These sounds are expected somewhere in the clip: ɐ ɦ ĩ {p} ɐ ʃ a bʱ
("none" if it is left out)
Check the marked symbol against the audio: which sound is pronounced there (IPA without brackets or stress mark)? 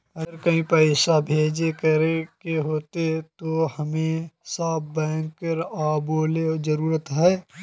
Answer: p